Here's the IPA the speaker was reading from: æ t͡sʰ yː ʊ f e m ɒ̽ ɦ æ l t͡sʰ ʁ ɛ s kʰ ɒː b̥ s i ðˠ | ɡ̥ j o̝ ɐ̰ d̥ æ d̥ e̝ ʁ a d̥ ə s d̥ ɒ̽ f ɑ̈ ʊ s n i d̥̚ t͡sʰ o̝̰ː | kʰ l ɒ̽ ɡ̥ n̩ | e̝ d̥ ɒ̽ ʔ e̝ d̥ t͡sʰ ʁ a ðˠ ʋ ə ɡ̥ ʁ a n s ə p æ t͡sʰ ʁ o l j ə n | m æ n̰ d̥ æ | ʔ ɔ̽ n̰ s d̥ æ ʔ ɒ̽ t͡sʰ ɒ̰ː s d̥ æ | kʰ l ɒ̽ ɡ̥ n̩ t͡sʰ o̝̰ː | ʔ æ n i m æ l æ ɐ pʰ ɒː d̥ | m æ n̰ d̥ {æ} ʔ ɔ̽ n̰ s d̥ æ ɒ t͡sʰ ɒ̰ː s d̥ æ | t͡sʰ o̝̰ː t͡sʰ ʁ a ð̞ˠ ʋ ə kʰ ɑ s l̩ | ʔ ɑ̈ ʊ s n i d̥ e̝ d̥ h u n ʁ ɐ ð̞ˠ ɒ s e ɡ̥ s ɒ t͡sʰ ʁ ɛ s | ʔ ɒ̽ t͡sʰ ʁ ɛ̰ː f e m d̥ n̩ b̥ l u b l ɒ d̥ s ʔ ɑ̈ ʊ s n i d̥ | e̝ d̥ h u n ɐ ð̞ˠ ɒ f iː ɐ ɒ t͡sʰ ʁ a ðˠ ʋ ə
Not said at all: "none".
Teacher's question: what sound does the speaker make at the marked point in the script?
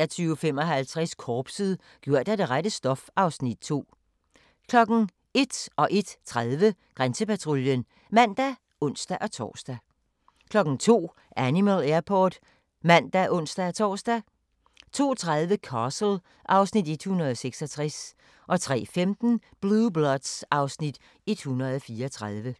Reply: æ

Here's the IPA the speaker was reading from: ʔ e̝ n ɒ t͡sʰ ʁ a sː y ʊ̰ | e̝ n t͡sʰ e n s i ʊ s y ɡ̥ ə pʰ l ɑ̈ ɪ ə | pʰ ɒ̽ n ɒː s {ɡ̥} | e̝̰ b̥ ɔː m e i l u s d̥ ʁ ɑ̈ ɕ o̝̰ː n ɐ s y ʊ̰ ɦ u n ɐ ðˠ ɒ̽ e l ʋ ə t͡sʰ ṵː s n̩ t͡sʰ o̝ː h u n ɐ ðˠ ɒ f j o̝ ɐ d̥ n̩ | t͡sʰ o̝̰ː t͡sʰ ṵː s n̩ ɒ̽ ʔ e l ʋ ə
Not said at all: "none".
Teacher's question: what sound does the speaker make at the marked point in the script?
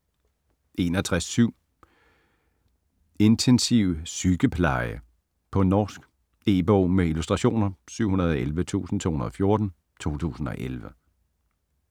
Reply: ɡ̥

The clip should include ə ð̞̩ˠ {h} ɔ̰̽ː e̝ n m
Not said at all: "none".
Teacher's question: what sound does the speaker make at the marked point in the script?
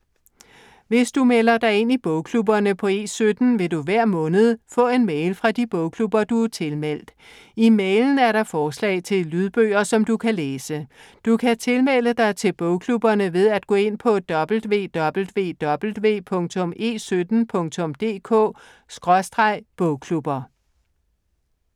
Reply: f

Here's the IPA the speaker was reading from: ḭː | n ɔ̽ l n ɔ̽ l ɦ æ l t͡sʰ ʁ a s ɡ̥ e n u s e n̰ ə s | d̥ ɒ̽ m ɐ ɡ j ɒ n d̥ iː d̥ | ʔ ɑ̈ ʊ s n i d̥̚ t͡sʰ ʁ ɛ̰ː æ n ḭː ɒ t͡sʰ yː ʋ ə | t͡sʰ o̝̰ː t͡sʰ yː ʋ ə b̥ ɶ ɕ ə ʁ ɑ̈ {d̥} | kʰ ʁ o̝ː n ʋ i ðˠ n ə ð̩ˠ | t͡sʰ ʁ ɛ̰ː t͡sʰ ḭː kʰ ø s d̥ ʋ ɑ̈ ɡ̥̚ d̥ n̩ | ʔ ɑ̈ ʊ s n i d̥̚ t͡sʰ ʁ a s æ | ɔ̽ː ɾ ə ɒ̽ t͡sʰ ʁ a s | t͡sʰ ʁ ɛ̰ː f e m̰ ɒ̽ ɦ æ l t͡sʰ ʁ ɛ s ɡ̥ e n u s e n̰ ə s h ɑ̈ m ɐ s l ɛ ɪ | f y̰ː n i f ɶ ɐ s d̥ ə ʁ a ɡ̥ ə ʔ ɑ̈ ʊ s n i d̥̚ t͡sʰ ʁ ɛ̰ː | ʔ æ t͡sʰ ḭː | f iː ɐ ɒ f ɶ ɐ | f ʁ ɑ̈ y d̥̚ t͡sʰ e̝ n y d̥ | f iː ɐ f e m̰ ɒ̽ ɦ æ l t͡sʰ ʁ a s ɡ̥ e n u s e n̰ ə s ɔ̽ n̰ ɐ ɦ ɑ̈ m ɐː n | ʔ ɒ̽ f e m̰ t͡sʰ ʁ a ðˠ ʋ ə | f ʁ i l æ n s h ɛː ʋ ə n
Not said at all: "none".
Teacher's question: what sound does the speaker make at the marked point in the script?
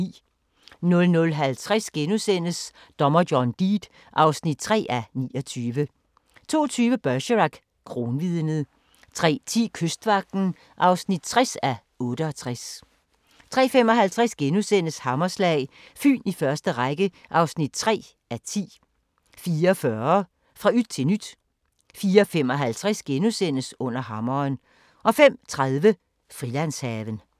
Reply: ɡ̥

